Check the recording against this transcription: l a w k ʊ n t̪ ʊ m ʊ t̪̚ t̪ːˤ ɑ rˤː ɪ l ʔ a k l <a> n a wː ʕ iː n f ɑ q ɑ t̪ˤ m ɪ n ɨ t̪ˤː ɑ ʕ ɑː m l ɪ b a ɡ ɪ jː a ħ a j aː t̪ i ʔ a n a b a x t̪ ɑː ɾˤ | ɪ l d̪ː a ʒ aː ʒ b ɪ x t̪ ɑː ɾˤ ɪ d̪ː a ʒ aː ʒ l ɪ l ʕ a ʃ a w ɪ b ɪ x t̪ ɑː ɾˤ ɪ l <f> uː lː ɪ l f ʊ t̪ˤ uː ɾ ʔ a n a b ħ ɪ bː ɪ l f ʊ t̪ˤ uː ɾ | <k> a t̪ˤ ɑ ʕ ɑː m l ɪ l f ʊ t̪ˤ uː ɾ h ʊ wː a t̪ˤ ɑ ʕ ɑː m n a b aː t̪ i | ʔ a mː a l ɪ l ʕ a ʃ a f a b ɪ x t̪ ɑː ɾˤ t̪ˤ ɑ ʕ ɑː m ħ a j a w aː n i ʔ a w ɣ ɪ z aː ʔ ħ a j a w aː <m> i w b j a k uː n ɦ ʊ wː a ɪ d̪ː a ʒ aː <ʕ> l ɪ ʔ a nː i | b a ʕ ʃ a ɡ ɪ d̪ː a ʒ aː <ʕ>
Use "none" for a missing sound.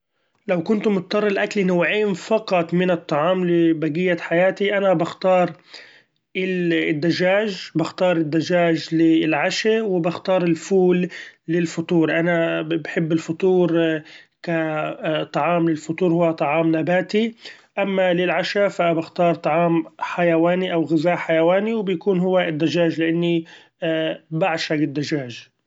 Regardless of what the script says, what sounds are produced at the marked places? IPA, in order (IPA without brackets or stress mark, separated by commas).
i, f, k, n, ʒ, ʒ